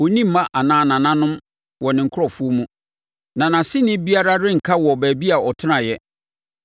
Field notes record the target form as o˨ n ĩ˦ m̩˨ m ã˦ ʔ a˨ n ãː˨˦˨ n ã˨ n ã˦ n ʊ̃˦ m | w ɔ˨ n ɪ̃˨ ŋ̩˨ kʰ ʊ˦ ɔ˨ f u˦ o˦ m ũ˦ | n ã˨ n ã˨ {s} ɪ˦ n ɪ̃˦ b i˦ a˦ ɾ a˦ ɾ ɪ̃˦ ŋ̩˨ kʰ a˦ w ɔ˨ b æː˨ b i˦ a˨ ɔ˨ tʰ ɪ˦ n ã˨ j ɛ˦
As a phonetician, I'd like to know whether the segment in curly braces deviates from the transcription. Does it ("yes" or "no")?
no